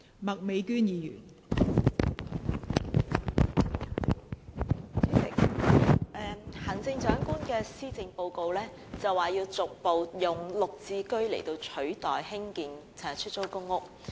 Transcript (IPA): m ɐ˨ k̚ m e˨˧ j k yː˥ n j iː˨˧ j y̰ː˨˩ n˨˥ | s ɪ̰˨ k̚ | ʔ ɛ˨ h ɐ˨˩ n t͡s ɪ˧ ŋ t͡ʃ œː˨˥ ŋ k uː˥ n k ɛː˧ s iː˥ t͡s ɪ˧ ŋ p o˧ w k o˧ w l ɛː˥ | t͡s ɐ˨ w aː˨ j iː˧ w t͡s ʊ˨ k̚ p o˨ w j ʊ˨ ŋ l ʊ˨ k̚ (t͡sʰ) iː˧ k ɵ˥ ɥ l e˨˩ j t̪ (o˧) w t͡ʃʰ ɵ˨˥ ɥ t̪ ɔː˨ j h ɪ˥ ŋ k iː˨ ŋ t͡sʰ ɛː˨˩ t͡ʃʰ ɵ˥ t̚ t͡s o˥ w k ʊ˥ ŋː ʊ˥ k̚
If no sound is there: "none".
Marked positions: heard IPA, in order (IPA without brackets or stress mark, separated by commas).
t͡s, o˧